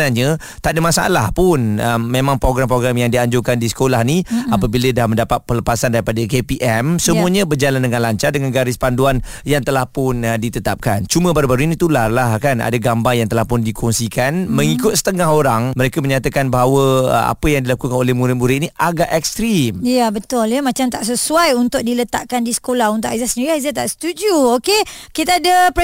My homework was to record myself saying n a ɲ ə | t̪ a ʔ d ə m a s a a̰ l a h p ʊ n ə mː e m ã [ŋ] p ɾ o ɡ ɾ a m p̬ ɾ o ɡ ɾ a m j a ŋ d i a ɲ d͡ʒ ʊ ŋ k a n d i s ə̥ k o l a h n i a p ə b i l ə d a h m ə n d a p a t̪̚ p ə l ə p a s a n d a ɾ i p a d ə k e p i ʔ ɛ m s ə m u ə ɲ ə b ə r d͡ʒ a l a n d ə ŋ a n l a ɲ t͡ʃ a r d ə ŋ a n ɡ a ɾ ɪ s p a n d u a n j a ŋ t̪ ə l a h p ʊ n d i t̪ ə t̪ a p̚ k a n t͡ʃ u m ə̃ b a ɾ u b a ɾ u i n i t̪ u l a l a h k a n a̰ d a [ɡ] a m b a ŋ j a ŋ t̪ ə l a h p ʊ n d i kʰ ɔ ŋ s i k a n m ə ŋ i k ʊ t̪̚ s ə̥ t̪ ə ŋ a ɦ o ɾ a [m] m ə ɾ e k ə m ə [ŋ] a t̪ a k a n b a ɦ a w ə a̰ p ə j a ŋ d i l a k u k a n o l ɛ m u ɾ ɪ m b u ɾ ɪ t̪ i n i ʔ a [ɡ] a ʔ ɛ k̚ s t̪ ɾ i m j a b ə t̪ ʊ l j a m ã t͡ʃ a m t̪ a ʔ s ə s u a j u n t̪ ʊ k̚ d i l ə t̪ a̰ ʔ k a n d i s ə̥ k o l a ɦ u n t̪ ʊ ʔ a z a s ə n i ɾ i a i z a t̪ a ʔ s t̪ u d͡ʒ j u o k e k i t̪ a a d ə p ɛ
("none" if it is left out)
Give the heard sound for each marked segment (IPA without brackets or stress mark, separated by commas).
ŋ, ɡ, ŋ, ɲ, ɡ